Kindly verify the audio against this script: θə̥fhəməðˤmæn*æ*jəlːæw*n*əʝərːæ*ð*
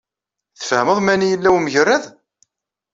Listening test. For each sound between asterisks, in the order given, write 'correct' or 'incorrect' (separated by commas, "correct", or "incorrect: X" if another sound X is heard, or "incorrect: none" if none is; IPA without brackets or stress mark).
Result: incorrect: i, incorrect: m, correct